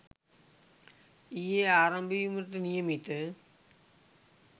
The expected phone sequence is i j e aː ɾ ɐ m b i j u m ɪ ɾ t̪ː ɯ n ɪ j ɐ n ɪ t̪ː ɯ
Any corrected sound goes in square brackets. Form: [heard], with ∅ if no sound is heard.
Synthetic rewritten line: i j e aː ɾ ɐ m b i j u m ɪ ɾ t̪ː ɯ n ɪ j ɐ [m] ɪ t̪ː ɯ